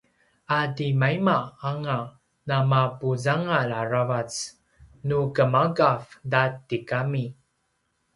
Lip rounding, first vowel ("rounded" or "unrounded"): unrounded